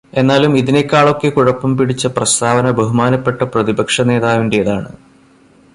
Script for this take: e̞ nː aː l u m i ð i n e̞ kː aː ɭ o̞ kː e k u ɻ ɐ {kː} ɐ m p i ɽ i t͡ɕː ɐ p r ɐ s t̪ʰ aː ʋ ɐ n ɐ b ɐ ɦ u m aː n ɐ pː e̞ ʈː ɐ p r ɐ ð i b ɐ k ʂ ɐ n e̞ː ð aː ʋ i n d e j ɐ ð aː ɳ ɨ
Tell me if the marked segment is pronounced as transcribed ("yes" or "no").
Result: no